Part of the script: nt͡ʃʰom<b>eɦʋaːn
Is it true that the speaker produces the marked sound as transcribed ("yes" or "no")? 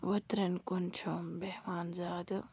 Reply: yes